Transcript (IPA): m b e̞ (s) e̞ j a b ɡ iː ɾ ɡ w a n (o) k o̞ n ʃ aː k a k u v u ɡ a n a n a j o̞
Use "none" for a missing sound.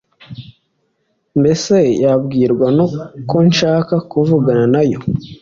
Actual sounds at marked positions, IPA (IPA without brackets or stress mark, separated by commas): s, o